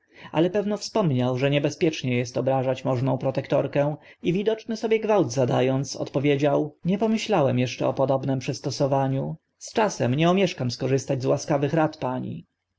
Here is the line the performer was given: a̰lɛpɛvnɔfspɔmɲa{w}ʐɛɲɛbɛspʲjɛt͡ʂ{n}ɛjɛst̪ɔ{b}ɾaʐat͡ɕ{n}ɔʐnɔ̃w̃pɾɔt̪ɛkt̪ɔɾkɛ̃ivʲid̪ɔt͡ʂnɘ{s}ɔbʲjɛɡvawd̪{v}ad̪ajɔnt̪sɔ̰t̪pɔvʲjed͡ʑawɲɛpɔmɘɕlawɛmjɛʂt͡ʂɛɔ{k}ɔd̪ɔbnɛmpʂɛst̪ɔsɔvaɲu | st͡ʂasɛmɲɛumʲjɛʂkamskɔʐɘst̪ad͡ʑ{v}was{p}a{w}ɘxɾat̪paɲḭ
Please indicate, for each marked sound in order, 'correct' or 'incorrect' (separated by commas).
correct, incorrect, correct, incorrect, correct, incorrect, incorrect, incorrect, incorrect, incorrect